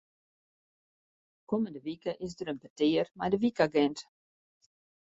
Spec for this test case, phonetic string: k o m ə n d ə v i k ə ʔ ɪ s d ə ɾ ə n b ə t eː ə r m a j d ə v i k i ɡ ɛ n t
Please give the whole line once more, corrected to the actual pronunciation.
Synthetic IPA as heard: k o m ə n d ə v i k ə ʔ ɪ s d ə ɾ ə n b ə t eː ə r m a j d ə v i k a ɡ ɛ n t